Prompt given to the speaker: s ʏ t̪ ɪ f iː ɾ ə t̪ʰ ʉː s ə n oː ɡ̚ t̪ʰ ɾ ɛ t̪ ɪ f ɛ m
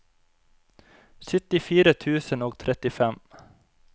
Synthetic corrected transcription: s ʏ t̪ ɪ f iː ɾ ə t̪ʰ ʉː s ə n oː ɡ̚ t̪ʰ ɾ ɛ t̪ ɪ f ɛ m